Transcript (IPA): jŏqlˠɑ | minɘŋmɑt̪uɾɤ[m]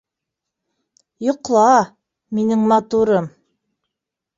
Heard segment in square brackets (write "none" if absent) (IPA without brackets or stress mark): m